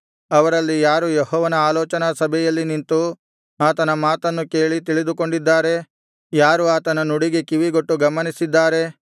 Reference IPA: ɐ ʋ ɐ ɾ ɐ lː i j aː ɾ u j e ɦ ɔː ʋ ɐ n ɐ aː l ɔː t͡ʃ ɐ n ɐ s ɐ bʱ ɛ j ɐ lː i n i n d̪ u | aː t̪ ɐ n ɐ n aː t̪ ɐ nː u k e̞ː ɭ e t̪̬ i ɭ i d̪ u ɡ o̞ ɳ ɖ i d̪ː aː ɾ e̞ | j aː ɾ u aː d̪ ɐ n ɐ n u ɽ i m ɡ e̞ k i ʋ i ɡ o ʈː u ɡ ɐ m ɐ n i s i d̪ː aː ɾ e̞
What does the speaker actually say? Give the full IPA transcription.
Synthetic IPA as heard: ɐ ʋ ɐ ɾ ɐ lː i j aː ɾ u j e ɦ ɔː ʋ ɐ n ɐ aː l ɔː t͡ʃ ɐ n ɐ s ɐ bʱ ɛ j ɐ lː i n i n t̪ u | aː t̪ ɐ n ɐ m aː t̪ ɐ nː u k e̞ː ɭ i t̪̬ i ɭ i d̪ u k o̞ ɳ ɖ i d̪ː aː ɾ e̞ | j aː ɾ u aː t̪ ɐ n ɐ n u ɽ i ɡ e̞ k i ʋ i ɡ o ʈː u ɡ ɐ m ɐ n i s i d̪ː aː ɾ e̞